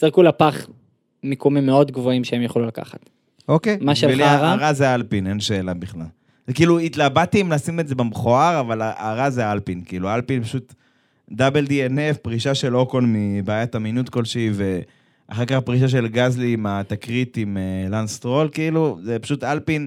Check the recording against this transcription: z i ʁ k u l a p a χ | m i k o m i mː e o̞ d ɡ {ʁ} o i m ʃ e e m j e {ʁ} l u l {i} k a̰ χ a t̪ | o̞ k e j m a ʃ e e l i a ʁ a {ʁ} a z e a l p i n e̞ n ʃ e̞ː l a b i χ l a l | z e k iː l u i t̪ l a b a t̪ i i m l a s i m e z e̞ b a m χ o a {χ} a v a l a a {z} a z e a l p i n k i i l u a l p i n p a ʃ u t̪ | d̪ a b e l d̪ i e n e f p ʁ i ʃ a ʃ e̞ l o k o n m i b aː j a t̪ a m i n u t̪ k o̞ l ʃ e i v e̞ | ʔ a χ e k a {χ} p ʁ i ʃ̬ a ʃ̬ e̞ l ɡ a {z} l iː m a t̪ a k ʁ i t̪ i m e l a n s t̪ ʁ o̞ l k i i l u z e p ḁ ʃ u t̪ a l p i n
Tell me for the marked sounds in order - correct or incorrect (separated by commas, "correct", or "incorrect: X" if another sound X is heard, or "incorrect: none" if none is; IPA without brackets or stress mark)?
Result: incorrect: v, incorrect: χ, incorrect: a, correct, incorrect: ʁ, incorrect: ʁ, correct, correct